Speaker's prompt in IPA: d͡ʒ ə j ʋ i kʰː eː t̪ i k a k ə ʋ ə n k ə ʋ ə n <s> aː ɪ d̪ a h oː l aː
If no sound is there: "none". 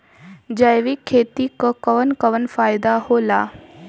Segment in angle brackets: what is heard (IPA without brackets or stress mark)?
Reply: f